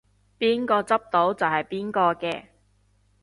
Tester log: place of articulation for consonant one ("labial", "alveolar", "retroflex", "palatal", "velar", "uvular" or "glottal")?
labial